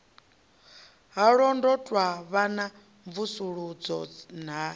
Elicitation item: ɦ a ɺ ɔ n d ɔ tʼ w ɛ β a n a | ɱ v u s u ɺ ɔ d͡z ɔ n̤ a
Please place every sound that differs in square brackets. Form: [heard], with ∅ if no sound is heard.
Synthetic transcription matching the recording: ɦ a ɺ ɔ n d ɔ tʼ w [a] β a n a | ɱ v u s u ɺ [u] d͡z ɔ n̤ a